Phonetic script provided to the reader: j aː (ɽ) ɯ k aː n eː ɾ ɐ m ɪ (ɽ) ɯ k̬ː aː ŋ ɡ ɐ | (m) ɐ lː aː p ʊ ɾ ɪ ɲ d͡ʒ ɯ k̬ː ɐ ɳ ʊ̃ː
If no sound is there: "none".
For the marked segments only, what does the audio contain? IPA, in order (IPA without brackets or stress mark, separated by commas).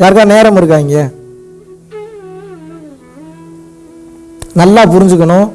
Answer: ɾ, ɾ, n